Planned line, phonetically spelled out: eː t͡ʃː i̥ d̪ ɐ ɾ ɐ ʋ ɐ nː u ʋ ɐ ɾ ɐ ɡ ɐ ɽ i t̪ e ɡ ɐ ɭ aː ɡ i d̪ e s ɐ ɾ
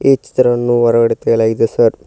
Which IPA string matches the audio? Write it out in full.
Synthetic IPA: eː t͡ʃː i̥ t̪ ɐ ɾ ɐ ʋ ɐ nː u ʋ ɐ ɾ ɐ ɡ ɐ ɽ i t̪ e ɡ ɐ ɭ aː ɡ i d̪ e s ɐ ɾ